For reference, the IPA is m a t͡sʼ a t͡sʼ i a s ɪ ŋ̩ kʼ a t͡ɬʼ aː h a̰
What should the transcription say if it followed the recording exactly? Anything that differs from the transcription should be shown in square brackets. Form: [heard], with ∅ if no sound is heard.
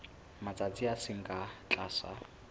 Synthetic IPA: m a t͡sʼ a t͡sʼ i a s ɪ ŋ̩ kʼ a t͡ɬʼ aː [s] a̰